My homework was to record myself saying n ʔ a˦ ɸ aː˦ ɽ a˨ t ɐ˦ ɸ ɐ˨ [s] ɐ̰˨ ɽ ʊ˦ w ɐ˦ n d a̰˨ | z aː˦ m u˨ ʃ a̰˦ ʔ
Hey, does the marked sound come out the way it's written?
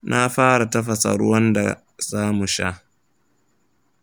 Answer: yes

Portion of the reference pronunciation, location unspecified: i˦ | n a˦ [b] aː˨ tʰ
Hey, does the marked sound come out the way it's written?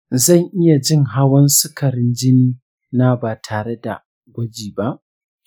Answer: yes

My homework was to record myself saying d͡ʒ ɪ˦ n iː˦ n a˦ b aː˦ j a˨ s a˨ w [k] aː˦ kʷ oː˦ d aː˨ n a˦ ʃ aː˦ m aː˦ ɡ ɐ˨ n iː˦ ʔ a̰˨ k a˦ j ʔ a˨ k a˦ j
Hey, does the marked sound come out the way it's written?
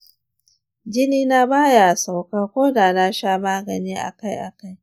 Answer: yes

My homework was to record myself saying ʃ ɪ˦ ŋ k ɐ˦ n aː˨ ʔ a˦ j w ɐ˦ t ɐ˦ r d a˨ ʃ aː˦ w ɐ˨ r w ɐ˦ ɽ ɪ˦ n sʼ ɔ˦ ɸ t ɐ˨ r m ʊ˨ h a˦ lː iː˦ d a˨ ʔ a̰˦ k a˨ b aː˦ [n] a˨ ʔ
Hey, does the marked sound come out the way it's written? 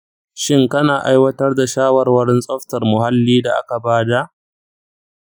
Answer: no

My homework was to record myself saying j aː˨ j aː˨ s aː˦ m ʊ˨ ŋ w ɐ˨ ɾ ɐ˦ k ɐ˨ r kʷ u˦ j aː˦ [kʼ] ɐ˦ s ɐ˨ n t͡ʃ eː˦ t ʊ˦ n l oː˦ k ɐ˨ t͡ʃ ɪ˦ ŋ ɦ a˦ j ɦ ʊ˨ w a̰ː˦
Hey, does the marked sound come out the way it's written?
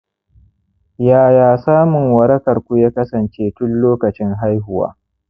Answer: no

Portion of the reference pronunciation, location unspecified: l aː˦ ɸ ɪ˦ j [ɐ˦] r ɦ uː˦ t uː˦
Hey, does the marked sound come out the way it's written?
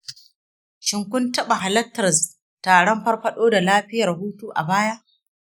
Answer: no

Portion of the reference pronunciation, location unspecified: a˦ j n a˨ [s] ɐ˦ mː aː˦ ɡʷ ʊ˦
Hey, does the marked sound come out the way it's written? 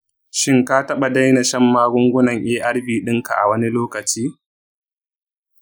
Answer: no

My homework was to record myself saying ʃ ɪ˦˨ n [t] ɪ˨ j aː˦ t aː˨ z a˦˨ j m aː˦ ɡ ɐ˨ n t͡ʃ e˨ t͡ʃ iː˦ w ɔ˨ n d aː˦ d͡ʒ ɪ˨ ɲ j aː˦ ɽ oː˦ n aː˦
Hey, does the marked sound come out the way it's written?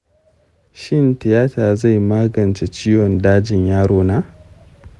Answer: yes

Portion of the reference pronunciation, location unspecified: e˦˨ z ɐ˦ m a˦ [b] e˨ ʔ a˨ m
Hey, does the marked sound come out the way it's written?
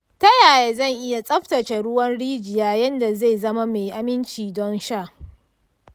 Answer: no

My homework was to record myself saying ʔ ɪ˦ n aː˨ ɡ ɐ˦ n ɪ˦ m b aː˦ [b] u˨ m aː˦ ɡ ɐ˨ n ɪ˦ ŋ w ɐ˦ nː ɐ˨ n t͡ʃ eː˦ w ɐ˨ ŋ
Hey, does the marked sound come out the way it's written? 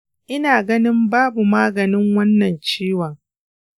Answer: yes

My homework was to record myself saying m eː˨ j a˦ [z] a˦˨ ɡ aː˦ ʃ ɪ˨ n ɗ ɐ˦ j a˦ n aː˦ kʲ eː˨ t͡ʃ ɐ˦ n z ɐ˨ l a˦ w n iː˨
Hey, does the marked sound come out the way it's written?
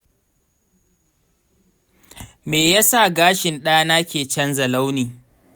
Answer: no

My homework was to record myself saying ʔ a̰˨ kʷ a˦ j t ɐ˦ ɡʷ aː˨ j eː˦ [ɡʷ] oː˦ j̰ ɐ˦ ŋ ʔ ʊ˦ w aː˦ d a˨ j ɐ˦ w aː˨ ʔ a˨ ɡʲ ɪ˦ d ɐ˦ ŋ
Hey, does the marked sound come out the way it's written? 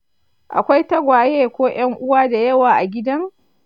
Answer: no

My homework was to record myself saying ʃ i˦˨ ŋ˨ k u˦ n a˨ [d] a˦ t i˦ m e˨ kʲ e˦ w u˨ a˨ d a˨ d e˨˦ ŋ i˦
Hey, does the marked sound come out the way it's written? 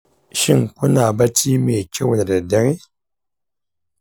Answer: no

